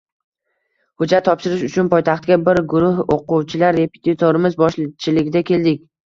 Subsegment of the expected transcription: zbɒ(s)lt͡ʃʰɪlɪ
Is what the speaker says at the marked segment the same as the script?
no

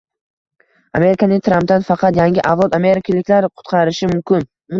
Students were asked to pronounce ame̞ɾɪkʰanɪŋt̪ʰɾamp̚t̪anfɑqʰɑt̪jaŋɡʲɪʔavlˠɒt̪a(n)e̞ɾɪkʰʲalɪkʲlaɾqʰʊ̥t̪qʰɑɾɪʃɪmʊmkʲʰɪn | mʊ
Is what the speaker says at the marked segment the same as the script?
no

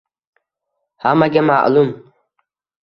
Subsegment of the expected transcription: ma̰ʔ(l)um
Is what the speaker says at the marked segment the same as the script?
yes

